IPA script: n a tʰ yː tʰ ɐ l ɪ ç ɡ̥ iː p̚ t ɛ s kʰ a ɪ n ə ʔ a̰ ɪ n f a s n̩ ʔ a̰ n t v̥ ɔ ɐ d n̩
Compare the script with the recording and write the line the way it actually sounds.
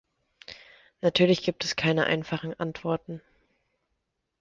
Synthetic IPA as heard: n a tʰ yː ɐ l ɪ ç ɡ̥ iː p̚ t ɛ s kʰ a ɪ n ə ʔ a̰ ɪ n f a χ n̩ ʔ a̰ n t v̥ ɔ ɐ t n̩

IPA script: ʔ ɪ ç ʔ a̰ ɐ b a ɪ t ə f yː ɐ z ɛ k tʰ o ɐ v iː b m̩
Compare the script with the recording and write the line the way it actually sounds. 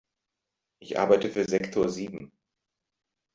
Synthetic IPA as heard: ʔ ɪ ç ʔ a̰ ɐ b a ɪ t ə f yː ɐ z ɛ k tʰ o ɐ z iː b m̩

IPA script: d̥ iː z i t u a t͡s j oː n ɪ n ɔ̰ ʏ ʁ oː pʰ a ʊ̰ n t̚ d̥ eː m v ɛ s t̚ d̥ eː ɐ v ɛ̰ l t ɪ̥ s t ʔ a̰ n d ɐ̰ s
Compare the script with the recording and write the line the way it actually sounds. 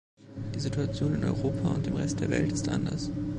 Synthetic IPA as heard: d̥ iː z i t u a t͡s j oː n ɪ n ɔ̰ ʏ ʁ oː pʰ a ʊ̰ n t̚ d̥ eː m ʁ ɛ s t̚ d̥ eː ɐ v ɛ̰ l t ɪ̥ s t ʔ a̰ n d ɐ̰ s

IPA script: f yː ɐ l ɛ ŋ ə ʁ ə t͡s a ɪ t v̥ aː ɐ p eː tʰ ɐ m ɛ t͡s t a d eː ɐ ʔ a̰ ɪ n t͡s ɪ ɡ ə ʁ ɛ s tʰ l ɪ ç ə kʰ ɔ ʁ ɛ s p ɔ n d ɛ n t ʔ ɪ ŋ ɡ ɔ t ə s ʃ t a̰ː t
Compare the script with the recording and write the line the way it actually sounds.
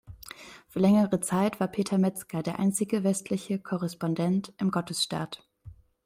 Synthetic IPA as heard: f yː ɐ l ɛ ŋ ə ʁ ə t͡s a ɪ t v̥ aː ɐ pʰ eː tʰ ɐ m ɛ t͡s k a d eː ɐ ʔ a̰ ɪ n t͡s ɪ ɡ ə v ɛ s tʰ l ɪ ç ə kʰ ɔ ʁ ɛ s p ɔ n d ɛ n t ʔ ɪ m ɡ ɔ t ə s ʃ t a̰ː t

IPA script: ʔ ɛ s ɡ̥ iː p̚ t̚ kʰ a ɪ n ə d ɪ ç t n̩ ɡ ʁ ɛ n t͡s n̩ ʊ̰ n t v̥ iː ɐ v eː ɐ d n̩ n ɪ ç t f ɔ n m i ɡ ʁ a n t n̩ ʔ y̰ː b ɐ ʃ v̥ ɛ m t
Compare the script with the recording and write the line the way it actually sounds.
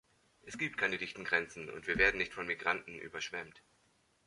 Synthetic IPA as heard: ʔ ɛ s ɡ̥ iː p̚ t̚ kʰ a ɪ n ə d ɪ ç t n̩ ɡ ʁ ɛ n t͡s n̩ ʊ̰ n t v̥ iː ɐ v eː ɐ d n̩ n ɪ ç t f ɔ n m i ɡ ʁ a n t n̩ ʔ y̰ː b ɐ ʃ v̥ ɛ m t

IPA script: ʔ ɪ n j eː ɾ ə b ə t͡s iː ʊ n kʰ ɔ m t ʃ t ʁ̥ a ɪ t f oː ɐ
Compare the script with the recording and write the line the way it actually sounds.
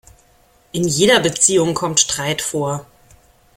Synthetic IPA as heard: ʔ ɪ n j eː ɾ ɐ b ə t͡s iː ʊ ŋ kʰ ɔ m t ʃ t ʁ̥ a ɪ t f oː ɐ

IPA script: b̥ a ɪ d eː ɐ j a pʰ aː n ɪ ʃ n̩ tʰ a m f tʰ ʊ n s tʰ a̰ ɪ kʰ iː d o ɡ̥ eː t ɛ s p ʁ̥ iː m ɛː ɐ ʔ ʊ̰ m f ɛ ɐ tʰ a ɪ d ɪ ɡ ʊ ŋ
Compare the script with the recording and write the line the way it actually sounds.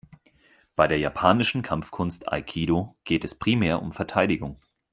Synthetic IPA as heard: b̥ a ɪ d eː ɐ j a pʰ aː n ɪ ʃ n̩ kʰ a m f kʰ ʊ n s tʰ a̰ ɪ kʰ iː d o ɡ̥ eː t ɛ s p ʁ̥ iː m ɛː ɐ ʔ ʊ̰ m f ɛ ɐ tʰ a ɪ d ɪ ɡ ʊ ŋ

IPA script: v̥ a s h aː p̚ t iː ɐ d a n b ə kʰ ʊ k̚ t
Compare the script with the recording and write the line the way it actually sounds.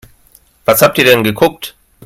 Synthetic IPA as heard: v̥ a s h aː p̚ t iː ɐ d ɛ n ɡ ə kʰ ʊ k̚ t

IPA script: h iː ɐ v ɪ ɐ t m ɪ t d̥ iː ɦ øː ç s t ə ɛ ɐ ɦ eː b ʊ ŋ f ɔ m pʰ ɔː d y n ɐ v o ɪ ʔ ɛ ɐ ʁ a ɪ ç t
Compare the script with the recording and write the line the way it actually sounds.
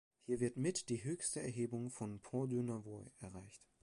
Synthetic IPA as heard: h iː ɐ v ɪ ɐ t m ɪ t d̥ iː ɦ øː ç s t ə ɛ ɐ ɦ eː b ʊ ŋ f ɔ n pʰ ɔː d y n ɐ v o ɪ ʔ ɛ ɐ ʁ a ɪ ç t

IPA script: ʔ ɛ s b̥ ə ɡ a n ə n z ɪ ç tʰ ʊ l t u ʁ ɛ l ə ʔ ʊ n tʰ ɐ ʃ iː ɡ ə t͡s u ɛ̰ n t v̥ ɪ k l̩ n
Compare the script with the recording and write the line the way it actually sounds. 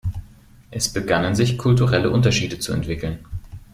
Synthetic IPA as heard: ʔ ɛ s b̥ ə ɡ a n ə n z ɪ ç kʰ ʊ l t u ʁ ɛ l ə ʔ ʊ n t ɐ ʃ iː d ə t͡s u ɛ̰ n t v̥ ɪ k l̩ n

